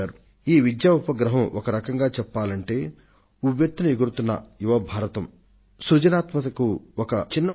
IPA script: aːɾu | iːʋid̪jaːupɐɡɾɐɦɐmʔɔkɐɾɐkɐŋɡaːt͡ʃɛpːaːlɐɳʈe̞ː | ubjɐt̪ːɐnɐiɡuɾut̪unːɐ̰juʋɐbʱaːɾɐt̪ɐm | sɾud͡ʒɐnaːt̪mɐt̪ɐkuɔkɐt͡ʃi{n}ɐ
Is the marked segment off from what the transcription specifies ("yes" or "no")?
yes